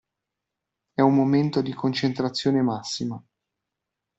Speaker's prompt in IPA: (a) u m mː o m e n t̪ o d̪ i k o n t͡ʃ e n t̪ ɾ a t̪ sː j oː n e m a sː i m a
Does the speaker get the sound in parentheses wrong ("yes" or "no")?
yes